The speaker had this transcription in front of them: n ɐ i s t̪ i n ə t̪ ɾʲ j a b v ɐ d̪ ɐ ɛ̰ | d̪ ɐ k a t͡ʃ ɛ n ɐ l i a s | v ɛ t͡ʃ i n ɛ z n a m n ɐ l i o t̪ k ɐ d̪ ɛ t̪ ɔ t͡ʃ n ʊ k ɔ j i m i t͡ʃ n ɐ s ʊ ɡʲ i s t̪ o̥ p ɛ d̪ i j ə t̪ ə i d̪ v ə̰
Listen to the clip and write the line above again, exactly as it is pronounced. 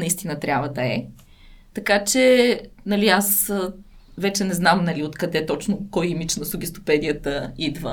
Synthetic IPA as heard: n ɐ i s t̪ i n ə t̪ ɾʲ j a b v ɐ d̪ ɐ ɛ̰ | t̪ ɐ k a t͡ʃ ɛ n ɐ l i a s | v ɛ t͡ʃ ɛ n ɛ z n a m n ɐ l i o t̪ k ɐ d̪ ɛ t̪ ɔ t͡ʃ n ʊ k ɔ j i m i t͡ʃ n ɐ s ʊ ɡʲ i s t̪ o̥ p ɛ d̪ i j ə t̪ ə i d̪ v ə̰